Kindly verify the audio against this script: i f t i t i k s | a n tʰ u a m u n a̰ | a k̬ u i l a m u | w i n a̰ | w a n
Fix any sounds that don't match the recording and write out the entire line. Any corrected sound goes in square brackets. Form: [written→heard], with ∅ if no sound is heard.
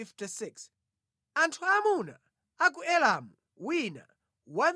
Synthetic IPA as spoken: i f t i [t→s] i k s | a n tʰ u a m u n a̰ | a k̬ u [i→ɛ] l a m u | w i n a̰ | w a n